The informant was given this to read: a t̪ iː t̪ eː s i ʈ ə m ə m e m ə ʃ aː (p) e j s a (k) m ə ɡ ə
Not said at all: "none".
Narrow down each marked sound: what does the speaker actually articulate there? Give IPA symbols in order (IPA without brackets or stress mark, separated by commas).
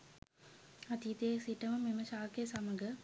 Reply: k, none